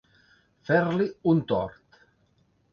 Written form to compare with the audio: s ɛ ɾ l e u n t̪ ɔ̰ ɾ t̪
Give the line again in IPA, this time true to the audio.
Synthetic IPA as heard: f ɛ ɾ l i u n t̪ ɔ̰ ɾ t̪